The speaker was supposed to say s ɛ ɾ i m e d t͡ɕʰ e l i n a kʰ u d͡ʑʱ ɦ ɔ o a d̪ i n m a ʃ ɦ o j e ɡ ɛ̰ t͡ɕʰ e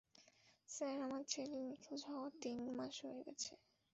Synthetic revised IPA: s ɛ ɾ a m a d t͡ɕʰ e l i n i kʰ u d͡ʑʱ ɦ ɔ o a t̪ i n m a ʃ ɦ o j e ɡ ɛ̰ t͡ɕʰ e